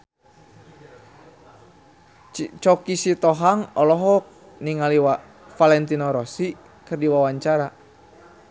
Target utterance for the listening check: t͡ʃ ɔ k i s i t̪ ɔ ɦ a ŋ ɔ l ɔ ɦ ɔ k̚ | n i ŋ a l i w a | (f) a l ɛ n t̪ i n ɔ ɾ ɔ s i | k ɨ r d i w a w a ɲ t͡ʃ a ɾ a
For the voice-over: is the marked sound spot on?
yes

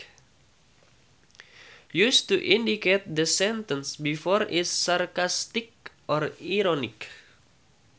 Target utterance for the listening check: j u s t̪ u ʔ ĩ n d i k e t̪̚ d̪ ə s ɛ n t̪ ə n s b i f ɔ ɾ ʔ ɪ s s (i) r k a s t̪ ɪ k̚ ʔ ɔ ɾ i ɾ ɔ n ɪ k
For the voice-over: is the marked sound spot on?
no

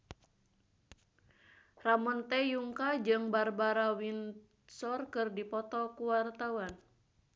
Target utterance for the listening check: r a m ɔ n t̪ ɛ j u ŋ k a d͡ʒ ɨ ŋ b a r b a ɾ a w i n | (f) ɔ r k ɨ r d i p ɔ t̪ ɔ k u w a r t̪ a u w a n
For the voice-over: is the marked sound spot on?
no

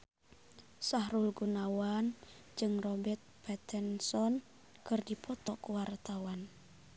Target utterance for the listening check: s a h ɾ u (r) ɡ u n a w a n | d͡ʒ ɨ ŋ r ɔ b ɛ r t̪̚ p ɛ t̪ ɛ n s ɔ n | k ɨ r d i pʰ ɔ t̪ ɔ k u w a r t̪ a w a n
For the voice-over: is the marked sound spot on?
no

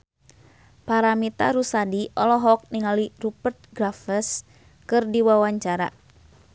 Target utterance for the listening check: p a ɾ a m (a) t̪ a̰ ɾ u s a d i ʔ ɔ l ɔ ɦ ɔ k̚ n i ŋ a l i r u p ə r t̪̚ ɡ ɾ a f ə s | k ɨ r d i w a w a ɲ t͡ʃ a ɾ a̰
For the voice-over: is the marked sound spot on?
no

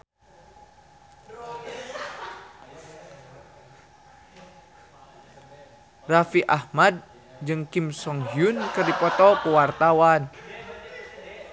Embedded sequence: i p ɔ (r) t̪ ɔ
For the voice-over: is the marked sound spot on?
no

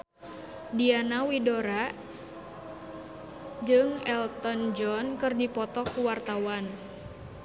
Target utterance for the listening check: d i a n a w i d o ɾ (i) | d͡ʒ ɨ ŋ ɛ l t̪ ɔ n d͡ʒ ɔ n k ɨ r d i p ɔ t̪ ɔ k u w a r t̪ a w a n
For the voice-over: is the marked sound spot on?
no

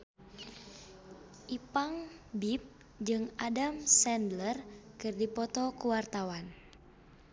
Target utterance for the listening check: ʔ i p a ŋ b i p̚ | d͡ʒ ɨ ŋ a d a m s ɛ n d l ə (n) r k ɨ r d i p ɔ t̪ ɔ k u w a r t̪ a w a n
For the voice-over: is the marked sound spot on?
no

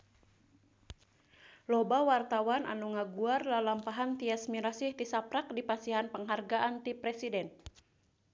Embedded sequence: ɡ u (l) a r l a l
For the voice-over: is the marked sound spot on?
no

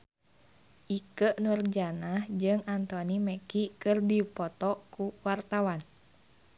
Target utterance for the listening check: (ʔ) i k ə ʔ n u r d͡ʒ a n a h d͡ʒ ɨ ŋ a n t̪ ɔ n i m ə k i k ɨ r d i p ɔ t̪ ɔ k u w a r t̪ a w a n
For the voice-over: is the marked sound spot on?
yes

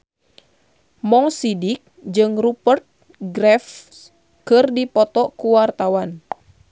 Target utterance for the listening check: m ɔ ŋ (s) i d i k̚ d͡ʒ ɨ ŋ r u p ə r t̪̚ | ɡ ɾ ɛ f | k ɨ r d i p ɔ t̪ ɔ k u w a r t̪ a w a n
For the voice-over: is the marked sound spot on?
yes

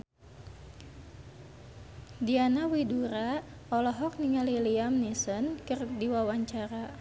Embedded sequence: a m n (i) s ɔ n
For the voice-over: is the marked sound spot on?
yes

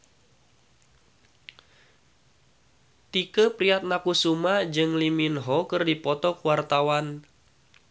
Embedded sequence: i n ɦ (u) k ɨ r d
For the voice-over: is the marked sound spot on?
no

